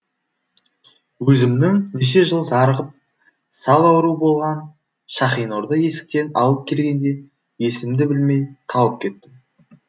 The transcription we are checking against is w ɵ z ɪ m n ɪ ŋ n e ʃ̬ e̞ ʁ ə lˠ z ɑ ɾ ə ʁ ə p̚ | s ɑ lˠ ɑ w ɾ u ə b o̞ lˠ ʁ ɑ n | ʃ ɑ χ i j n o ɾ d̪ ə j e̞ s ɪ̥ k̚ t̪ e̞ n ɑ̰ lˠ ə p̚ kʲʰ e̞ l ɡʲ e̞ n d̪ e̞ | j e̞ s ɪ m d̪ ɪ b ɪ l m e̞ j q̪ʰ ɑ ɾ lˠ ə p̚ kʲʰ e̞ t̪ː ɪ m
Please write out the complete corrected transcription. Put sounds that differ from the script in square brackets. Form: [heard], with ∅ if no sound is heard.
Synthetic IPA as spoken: w ɵ z ɪ m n ɪ ŋ n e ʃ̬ e̞ [ʒ] ə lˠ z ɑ ɾ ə ʁ ə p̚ | s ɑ lˠ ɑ w ɾ u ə b o̞ lˠ ʁ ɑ n | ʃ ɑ χ i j n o ɾ d̪ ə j e̞ s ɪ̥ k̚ t̪ e̞ n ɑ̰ lˠ ə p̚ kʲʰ e̞ l ɡʲ e̞ n d̪ e̞ | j e̞ s ɪ m d̪ ɪ b ɪ l m e̞ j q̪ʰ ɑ [∅] lˠ ə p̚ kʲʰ e̞ t̪ː ɪ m